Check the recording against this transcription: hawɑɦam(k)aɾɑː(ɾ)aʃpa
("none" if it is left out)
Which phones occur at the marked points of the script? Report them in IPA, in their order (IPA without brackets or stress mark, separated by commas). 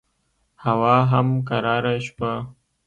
k, ɾ